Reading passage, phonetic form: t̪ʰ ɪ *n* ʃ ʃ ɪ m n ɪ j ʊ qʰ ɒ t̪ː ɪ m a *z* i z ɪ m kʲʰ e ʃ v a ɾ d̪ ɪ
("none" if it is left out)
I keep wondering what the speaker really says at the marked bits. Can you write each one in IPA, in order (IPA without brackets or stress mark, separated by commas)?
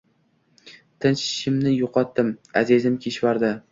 n, z